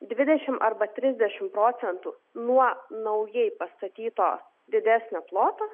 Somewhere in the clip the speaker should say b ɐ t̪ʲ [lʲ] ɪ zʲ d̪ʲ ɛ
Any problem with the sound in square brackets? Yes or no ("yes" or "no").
yes